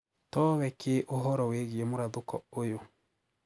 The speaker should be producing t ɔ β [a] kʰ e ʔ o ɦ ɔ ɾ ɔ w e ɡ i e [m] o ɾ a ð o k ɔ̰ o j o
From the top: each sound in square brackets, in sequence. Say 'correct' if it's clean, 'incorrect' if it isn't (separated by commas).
incorrect, correct